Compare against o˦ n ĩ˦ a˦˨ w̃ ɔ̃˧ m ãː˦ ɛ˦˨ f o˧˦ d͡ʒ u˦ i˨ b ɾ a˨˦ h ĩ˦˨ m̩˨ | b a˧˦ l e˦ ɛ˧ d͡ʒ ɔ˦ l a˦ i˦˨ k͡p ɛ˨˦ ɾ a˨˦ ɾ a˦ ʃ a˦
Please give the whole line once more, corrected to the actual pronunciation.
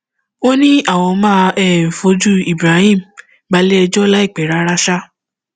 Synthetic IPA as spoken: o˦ n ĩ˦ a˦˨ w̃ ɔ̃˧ m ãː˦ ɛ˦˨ f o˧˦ d͡ʒ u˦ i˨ b ɾ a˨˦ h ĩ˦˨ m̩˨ | b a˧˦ l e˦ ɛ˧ d͡ʒ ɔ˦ l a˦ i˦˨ k͡p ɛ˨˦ ɾ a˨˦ ɾ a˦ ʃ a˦

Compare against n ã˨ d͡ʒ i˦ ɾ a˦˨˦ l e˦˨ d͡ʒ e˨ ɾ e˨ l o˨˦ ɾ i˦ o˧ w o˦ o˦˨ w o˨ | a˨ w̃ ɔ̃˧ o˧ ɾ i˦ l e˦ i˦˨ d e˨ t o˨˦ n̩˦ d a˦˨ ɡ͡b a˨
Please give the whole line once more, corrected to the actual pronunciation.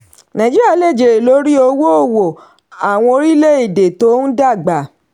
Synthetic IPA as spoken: n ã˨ d͡ʒ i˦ ɾ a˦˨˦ l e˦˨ d͡ʒ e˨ ɾ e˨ l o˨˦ ɾ i˦ o˧ w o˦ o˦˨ w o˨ | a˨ w̃ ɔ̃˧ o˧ ɾ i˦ l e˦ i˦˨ d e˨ t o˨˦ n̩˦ d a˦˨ ɡ͡b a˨

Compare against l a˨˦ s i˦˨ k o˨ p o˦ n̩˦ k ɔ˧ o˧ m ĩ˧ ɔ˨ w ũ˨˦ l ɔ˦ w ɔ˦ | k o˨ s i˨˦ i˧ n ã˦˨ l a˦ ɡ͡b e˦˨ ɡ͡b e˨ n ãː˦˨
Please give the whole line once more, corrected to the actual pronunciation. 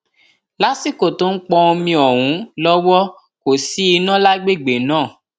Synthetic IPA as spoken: l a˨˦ s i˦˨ k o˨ t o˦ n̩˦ k͡p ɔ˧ o˧ m ĩ˧ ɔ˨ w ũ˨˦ l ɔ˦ w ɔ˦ | k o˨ s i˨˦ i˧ n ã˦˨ l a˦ ɡ͡b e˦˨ ɡ͡b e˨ n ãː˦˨

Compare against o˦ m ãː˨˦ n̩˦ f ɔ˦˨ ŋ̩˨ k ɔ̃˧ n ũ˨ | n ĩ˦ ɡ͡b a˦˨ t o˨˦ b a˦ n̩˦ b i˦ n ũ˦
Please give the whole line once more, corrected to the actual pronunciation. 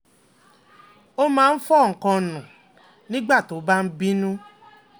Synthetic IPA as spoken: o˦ m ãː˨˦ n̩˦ f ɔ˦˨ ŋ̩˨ k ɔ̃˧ n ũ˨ | n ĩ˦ ɡ͡b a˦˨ t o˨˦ b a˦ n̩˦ b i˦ n ũ˦

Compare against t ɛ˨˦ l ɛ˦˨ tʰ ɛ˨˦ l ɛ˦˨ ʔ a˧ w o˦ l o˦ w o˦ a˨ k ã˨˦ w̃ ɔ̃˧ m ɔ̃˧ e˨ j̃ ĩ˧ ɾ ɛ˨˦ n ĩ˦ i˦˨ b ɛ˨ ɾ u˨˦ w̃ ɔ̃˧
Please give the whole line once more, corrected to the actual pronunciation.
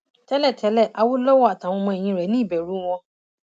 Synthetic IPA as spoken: t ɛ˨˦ l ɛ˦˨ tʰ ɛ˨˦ l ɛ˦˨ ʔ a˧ w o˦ l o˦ w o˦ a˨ t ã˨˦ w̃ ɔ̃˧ m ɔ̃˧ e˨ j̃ ĩ˧ ɾ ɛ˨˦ n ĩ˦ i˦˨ b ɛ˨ ɾ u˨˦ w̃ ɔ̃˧

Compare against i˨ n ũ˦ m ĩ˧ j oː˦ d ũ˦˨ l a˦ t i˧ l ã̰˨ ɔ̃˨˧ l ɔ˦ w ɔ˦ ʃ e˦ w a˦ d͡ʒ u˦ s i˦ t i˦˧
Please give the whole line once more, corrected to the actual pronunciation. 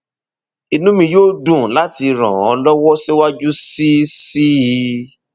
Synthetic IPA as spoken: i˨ n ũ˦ m ĩ˧ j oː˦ d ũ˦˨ l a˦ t i˧ ɾ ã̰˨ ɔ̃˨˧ l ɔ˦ w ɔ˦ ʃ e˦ w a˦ d͡ʒ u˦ s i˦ s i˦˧

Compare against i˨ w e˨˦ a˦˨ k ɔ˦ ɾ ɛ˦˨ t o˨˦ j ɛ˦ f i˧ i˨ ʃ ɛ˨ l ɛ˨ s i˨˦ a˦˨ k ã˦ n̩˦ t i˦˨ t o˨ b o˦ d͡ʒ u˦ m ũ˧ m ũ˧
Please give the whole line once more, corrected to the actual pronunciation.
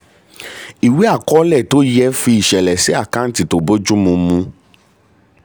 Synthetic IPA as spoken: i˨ w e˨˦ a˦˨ k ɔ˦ l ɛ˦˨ t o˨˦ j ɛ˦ f i˧ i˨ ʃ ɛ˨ l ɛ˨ s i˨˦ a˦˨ k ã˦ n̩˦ t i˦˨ t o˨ b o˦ d͡ʒ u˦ m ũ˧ m ũ˧

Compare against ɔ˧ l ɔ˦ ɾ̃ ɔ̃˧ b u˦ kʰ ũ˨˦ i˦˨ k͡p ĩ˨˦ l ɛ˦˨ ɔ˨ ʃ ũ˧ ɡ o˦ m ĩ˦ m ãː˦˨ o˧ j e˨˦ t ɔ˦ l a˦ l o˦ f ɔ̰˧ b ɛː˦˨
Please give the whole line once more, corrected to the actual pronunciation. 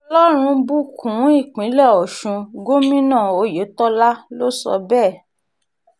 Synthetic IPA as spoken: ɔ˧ l ɔ˦ ɾ̃ ũ˧ b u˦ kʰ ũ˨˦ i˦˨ k͡p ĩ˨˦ l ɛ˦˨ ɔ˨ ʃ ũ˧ ɡ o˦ m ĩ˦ n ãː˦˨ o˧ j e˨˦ t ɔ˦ l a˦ l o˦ s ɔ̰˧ b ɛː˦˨

